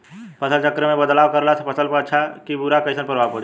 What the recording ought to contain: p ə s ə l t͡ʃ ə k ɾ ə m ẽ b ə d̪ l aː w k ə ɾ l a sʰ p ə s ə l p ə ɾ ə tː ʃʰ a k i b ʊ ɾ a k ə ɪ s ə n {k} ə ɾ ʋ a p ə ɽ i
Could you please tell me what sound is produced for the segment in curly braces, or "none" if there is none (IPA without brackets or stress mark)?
p